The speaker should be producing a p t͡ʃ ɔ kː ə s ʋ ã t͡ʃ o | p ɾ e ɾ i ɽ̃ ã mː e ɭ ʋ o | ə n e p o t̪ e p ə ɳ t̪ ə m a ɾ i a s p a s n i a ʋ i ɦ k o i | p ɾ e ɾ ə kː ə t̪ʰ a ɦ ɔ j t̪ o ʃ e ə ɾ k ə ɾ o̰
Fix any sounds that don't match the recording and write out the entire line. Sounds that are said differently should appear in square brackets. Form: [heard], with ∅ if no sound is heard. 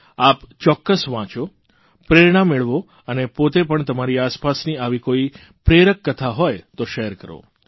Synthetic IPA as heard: a p t͡ʃ ɔ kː ə s ʋ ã t͡ʃ o | p ɾ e ɾ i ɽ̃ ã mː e ɭ ʋ o | ə n e p o t̪ e p ə ɳ t̪ ə m a ɾ i a s p a s n i a ʋ i [∅] k o i | p ɾ e ɾ ə kː ə t̪ʰ a ɦ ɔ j t̪ o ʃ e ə ɾ k ə ɾ o̰